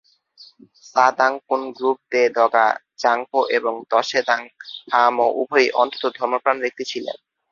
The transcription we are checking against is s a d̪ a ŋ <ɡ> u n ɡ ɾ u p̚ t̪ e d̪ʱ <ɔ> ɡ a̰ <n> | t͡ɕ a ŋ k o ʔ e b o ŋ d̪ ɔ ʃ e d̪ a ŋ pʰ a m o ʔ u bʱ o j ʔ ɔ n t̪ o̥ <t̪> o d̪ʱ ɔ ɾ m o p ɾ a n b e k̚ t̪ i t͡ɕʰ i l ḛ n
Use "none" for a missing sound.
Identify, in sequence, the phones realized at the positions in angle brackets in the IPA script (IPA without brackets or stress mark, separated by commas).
k, ɔ, none, t̪